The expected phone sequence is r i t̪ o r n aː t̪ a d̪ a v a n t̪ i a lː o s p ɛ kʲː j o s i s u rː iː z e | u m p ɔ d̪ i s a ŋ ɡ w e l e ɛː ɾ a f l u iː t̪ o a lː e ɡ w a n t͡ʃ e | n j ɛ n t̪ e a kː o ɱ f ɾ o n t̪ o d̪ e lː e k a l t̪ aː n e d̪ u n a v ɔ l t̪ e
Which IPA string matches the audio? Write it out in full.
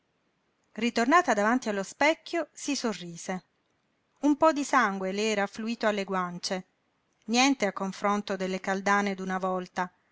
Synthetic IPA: r i t̪ o r n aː t̪ a d̪ a v a n t̪ i a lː o s p ɛ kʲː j o s i s o rː iː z e | u m p ɔ d̪ i s a ŋ ɡ w e l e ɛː ɾ a f l u iː t̪ o a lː e ɡ w a n t͡ʃ e | n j ɛ n t̪ e a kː o ɱ f ɾ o n t̪ o d̪ e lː e k a l d̪ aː n e d̪ u n a v ɔ l t̪ a